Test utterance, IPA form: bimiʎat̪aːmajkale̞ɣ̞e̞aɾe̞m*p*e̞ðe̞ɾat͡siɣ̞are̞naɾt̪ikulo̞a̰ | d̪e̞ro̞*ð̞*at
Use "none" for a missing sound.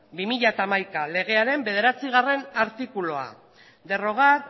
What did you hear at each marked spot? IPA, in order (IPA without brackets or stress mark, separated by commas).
b, ɣ̞